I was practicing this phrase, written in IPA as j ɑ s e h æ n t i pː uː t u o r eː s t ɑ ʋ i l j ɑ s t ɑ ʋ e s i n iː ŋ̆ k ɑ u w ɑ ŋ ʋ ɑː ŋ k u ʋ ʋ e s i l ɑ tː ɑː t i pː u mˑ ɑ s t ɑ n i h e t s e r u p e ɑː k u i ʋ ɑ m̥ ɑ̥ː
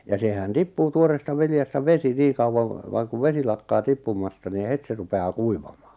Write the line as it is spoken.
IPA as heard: j ɑ s e h æ n t i pː uː t u o r eː s t ɑ ʋ i l j ɑ s t ɑ ʋ e s i n iː ŋ̆ k ɑ u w ɑ ŋ ʋ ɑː ŋ k u ʋ ʋ e s i l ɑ kː ɑː t i pː u mˑ ɑ s t ɑ n i h e t s e r u p e ɑː k u i ʋ ɑ m̥ ɑ̥ː